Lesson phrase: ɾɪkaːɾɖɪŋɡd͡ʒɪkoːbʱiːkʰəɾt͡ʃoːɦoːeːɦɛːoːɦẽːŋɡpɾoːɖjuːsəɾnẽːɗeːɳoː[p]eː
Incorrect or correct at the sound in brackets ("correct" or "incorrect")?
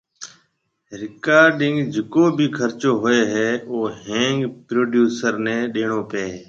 correct